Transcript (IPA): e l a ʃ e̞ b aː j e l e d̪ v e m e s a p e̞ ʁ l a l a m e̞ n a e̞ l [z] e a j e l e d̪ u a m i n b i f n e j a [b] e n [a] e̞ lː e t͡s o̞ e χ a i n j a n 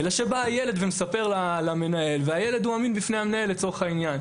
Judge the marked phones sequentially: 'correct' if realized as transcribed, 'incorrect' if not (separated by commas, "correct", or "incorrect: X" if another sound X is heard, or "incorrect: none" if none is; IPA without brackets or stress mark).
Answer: incorrect: v, incorrect: m, correct